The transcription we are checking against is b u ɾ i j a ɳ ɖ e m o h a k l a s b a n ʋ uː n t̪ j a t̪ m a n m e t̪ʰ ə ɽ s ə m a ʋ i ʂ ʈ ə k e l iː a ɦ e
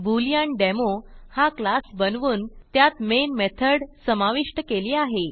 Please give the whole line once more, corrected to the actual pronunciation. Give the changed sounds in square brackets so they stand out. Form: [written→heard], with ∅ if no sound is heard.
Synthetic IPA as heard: b u [ɾ→l] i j a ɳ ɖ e m o h a k l a s b [a→ə] n ʋ uː n t̪ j a t̪ m [a→e] n m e t̪ʰ ə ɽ s ə m a ʋ i ʂ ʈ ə k e l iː a ɦ e